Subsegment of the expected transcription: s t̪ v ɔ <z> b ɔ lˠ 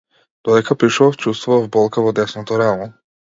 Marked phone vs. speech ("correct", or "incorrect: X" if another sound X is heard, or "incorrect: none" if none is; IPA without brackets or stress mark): incorrect: v